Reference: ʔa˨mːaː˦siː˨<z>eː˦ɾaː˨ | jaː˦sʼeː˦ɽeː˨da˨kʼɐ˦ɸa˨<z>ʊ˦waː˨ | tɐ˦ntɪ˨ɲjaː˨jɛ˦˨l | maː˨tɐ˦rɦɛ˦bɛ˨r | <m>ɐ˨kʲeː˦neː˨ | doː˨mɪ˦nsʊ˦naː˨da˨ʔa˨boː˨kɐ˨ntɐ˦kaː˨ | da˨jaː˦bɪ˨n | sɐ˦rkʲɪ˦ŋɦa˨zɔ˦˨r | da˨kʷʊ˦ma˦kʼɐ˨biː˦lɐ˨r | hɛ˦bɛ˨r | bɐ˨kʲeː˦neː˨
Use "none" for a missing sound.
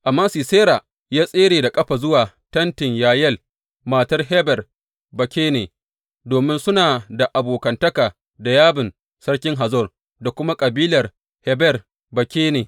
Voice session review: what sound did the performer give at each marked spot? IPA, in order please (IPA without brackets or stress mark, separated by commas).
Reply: s, z, b